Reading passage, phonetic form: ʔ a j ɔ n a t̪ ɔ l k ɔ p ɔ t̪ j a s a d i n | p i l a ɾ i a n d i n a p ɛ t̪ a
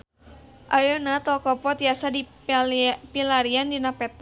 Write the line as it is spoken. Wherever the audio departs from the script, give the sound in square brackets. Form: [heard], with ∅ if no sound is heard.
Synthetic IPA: ʔ a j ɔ n a t̪ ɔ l k ɔ p ɔ t̪ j a s a d i [∅] | p i l a ɾ i a n d i n a p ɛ t̪ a